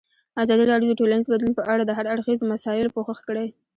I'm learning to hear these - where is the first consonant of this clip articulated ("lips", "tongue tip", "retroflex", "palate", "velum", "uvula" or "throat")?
tongue tip